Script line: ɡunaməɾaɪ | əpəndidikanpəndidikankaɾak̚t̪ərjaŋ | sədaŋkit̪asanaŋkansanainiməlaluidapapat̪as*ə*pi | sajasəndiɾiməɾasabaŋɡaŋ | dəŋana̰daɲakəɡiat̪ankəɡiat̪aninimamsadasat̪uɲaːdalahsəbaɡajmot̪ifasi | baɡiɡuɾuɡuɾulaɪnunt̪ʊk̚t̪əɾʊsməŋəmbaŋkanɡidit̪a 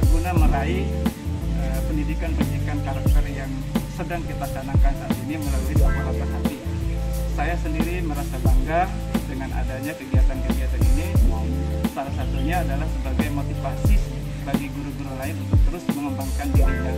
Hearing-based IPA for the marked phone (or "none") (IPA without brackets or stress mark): a